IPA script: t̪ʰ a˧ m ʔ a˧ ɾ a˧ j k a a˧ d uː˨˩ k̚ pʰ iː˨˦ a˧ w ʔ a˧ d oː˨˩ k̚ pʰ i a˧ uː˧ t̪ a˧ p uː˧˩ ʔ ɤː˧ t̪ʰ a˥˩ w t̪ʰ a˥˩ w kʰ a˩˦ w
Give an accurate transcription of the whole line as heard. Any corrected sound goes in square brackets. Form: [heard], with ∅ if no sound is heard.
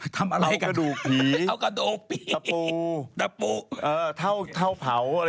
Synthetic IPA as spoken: t̪ʰ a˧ m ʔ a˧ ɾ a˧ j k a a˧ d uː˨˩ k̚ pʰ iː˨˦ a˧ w [k] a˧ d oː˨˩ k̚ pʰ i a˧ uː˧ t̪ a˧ p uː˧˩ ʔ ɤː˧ t̪ʰ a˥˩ w t̪ʰ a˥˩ w [pʰ] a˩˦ w